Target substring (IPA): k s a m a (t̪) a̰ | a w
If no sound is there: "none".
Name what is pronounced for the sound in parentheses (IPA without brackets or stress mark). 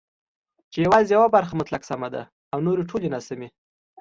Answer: d̪